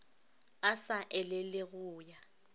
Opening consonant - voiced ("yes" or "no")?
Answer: no